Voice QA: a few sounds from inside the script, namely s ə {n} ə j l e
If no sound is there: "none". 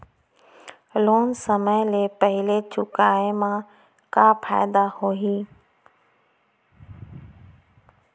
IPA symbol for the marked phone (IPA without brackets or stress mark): m